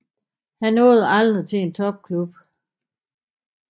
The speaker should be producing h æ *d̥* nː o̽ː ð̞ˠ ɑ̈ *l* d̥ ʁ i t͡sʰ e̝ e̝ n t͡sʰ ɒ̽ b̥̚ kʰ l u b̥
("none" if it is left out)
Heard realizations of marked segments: none, l

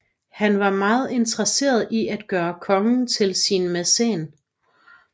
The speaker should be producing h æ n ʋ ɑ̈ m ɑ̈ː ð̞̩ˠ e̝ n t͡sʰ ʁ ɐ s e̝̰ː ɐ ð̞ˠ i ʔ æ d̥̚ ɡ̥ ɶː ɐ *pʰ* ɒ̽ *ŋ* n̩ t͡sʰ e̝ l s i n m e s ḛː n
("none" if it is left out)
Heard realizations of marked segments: kʰ, ŋ

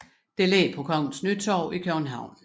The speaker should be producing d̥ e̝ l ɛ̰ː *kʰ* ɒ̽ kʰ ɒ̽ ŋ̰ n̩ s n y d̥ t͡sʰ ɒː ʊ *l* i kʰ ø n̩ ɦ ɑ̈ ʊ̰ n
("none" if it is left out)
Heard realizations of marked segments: pʰ, none

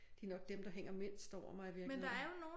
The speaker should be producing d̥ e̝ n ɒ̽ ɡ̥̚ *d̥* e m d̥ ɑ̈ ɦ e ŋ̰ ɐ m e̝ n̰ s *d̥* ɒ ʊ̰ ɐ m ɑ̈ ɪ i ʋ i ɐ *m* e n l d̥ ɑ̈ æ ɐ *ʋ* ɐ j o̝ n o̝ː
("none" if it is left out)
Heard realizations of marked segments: d̥, d̥, m, none

